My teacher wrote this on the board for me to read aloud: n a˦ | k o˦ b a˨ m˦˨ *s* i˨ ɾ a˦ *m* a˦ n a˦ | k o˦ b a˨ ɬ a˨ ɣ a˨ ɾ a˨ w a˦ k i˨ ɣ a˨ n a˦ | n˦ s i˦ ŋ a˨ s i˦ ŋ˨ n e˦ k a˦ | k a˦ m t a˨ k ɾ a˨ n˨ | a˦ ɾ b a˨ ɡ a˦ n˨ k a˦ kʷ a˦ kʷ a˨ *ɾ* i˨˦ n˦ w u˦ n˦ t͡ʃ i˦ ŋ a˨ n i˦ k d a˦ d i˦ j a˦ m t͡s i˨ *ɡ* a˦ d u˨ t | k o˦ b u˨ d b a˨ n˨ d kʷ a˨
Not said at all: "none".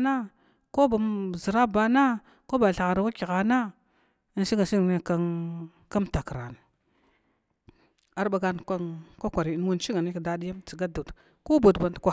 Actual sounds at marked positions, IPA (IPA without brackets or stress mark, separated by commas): z, b, ɾ, ɡ